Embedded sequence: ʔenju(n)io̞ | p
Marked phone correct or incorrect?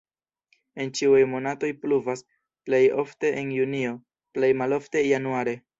correct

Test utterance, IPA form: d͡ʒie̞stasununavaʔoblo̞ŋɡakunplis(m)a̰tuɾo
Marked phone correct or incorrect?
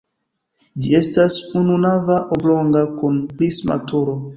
correct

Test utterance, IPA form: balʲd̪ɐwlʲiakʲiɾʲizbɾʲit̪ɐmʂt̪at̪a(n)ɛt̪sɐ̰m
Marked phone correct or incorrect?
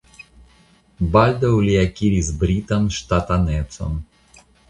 correct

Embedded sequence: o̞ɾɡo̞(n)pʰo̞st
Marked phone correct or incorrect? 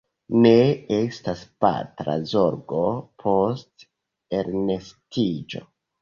incorrect: none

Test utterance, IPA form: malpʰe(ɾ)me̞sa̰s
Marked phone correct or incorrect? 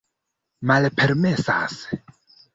correct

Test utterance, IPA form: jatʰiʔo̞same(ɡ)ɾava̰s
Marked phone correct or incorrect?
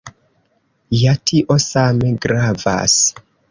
correct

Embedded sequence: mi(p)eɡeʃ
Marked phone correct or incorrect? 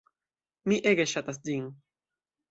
incorrect: ʔ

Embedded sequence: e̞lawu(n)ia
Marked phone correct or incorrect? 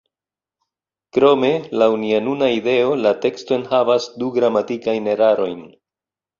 correct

